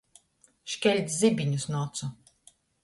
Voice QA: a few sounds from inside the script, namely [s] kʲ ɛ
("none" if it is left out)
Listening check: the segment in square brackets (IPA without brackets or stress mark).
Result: ʃ